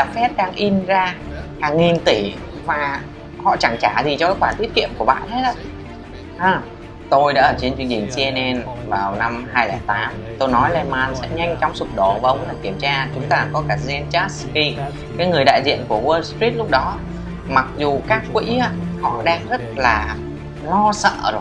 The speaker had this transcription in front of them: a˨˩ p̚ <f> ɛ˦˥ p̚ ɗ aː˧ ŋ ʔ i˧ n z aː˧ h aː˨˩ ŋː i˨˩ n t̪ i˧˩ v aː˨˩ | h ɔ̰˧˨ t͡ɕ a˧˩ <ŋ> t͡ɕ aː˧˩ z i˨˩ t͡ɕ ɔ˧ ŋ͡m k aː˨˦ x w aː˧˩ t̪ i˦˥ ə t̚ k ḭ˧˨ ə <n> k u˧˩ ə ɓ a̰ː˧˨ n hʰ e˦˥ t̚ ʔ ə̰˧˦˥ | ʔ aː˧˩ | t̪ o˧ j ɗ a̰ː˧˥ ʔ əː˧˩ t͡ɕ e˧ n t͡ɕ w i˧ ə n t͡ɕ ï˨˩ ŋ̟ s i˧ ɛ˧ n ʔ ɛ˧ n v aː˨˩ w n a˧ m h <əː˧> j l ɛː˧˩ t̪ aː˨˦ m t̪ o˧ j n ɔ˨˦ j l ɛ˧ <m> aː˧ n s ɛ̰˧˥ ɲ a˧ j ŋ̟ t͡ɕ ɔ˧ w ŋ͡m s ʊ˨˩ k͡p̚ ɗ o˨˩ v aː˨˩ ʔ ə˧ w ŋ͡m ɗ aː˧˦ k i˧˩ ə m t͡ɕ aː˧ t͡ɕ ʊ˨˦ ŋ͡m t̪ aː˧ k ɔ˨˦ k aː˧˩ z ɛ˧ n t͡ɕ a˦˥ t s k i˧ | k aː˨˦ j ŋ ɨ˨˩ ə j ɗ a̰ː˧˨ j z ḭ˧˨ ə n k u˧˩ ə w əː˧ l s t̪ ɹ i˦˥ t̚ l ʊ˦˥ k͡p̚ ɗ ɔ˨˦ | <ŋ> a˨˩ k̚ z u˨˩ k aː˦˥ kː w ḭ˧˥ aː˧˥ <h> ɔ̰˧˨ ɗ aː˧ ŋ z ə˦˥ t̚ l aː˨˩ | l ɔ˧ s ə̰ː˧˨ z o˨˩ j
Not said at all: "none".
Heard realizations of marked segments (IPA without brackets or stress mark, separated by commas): f, ŋ, m, aː˧, m, m, h